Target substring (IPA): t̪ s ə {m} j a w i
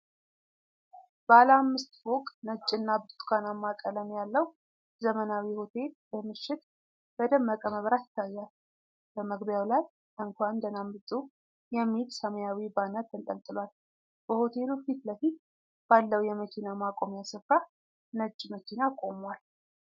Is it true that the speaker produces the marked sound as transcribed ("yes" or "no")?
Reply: yes